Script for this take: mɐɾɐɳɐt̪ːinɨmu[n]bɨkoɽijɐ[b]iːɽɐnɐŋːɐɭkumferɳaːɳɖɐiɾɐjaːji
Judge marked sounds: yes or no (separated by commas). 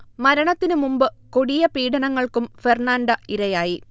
no, no